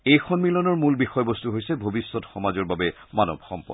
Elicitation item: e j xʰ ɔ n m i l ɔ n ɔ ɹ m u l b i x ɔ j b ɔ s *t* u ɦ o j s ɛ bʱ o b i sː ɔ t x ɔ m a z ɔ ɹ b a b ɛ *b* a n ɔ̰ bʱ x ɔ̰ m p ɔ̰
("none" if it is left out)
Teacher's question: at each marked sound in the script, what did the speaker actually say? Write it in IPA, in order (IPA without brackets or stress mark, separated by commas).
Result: t, m